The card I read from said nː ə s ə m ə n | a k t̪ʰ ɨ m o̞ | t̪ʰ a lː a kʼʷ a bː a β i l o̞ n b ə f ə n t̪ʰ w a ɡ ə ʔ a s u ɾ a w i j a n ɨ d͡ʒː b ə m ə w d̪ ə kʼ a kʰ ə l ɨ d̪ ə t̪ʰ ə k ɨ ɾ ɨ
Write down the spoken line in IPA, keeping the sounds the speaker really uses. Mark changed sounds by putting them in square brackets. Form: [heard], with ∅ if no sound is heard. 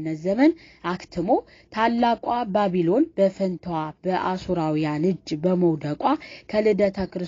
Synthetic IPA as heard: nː ə [z] ə m ə n | a k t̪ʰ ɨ m o̞ | t̪ʰ a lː a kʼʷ a [b] a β i l o̞ n b ə f ə n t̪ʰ w a [b] ə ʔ a s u ɾ a w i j a n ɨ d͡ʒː b ə m ə w d̪ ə kʼ a kʰ ə l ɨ d̪ ə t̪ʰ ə k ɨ ɾ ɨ

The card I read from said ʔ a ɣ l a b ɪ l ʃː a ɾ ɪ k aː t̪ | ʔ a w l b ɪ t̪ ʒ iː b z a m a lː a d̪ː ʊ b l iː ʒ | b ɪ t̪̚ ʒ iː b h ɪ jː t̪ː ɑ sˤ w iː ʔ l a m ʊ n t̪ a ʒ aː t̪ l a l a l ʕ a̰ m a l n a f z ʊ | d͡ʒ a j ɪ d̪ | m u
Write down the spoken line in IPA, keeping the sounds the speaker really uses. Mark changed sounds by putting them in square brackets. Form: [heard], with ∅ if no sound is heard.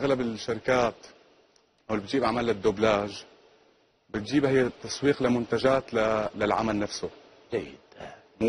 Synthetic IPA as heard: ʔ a ɣ l a b ɪ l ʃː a ɾ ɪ k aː t̪ | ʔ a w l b ɪ t̪ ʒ iː b [ʕ] a m a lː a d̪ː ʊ b l [aː] ʒ | b ɪ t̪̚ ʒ iː b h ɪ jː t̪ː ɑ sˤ w iː [q] l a m ʊ n t̪ a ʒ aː t̪ l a l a l ʕ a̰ m a l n a f [s] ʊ | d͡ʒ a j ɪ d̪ | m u

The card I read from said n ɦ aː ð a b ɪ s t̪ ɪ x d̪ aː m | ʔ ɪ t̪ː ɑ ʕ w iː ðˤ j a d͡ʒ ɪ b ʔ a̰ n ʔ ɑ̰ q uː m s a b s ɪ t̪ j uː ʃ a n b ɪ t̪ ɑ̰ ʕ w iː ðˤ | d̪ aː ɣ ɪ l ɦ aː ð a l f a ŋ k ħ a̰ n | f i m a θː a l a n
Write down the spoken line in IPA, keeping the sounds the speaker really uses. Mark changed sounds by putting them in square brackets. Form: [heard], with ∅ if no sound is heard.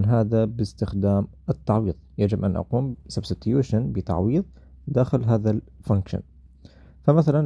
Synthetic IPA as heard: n ɦ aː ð a b ɪ s t̪ ɪ x d̪ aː m | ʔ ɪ t̪ː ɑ ʕ w iː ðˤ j a d͡ʒ ɪ b ʔ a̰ n ʔ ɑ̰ q uː m s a b s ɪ t̪ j uː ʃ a n b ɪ t̪ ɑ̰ ʕ w iː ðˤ | d̪ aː [x] ɪ l ɦ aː ð a l f a ŋ k [ʃ] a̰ n | f [a] m a [θ] a l a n

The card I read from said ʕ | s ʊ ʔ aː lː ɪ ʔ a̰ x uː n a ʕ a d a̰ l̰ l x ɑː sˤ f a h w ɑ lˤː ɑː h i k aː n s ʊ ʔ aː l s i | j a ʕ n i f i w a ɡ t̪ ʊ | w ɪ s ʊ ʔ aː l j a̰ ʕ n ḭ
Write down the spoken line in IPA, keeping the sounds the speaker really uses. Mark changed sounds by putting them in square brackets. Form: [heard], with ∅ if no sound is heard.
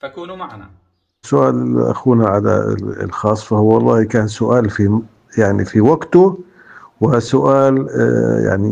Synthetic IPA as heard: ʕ | s ʊ ʔ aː [l] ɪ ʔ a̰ x uː n a ʕ a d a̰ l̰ l x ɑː sˤ f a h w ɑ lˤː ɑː h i k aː n s ʊ ʔ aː l [f] i | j a ʕ n i f i w a ɡ t̪ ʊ | w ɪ s ʊ ʔ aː l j a̰ ʕ n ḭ

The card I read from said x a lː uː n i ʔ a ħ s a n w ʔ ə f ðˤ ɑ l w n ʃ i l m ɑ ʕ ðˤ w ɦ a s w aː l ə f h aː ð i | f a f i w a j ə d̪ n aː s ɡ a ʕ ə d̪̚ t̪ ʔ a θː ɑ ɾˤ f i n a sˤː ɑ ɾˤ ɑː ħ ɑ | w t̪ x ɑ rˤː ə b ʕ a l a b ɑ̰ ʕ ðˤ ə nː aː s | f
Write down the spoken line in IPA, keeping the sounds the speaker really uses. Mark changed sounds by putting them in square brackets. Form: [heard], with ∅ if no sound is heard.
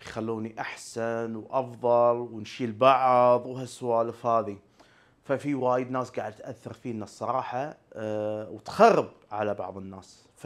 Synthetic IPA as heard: x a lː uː n i ʔ a ħ s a n w ʔ [ɑ] f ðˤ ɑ l w n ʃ i l [b] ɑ ʕ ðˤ w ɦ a s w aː l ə f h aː ð i | f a f i w a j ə d̪ n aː s ɡ a ʕ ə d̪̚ t̪ ʔ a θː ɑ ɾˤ f i n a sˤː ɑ ɾˤ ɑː ħ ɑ | w t̪ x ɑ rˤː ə b ʕ a l a b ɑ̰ ʕ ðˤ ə nː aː s | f

